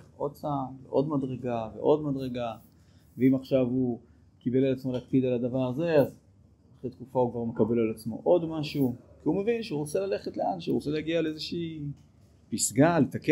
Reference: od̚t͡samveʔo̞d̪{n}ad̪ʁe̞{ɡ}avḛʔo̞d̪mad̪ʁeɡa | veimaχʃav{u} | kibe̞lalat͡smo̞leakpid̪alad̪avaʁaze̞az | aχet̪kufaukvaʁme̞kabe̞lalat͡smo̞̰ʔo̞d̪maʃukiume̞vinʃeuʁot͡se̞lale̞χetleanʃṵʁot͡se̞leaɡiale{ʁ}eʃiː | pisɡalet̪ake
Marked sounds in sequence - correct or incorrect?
incorrect: m, correct, correct, incorrect: z

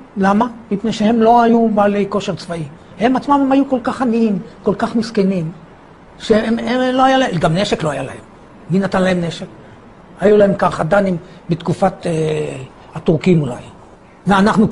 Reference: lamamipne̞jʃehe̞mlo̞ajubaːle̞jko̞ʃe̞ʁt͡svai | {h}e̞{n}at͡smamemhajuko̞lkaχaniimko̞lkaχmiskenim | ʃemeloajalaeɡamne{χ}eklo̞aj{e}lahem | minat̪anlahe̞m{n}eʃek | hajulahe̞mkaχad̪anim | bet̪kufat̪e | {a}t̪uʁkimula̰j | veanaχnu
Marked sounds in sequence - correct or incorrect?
correct, incorrect: m, incorrect: ʃ, incorrect: a, correct, correct

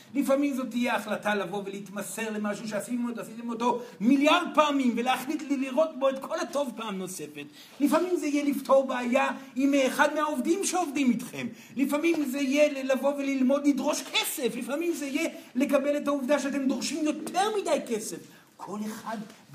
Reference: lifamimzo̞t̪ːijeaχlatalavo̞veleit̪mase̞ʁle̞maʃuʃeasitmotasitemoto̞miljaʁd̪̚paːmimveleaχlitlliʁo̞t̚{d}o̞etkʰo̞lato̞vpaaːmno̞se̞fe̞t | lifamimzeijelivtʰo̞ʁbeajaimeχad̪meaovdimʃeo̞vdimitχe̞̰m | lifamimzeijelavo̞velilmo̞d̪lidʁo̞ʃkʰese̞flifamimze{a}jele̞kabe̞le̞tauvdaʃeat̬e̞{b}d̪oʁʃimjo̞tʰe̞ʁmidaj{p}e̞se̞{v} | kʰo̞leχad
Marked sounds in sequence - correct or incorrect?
incorrect: b, incorrect: i, incorrect: m, incorrect: k, incorrect: f

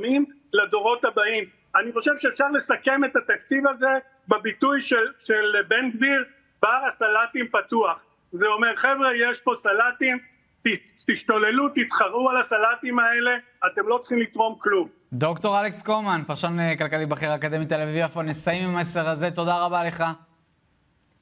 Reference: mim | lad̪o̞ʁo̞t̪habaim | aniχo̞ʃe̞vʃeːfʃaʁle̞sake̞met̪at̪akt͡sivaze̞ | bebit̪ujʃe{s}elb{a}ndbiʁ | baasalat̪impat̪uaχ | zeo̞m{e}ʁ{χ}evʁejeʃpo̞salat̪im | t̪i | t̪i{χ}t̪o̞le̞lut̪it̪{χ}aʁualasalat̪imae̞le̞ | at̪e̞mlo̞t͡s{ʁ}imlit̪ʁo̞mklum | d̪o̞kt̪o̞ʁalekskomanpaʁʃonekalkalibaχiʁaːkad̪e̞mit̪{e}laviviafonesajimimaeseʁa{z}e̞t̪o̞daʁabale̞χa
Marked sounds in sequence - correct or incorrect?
incorrect: ʃ, incorrect: e, correct, correct, incorrect: ʃ, correct, incorrect: χ, correct, correct

